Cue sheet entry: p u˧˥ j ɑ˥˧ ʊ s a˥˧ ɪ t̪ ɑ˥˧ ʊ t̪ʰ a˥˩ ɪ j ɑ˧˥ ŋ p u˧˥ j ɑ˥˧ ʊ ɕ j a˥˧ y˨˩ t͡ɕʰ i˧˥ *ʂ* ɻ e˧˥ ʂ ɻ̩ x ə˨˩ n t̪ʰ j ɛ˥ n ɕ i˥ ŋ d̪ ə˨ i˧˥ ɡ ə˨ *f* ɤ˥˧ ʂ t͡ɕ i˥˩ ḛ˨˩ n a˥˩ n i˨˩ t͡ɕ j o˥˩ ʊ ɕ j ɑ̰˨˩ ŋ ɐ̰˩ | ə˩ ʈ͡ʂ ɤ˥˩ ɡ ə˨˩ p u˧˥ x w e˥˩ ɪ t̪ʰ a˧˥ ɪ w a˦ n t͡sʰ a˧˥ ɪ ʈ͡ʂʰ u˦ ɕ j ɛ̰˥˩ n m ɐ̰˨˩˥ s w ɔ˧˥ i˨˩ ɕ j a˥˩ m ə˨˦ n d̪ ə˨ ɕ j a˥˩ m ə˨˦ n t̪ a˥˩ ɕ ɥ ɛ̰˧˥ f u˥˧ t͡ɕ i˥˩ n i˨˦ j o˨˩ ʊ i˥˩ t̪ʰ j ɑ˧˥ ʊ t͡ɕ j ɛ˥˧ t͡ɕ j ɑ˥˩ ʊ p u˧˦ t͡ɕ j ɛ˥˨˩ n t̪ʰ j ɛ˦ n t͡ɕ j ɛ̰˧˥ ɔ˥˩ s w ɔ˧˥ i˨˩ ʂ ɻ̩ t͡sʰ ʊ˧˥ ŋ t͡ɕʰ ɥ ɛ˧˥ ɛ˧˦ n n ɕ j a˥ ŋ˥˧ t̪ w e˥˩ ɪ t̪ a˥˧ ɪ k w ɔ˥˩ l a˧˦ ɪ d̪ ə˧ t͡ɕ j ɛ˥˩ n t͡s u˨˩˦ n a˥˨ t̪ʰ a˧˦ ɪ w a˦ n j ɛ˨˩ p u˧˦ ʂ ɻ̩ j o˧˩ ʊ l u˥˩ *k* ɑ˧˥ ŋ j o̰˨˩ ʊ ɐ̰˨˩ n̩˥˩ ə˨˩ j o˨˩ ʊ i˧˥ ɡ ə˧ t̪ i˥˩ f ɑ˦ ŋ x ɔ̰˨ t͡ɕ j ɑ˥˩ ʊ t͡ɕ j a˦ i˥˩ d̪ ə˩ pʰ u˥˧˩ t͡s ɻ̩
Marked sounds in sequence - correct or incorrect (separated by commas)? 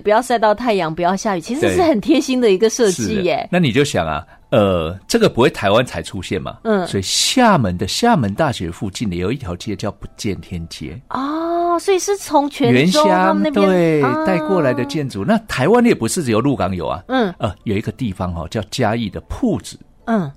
correct, incorrect, correct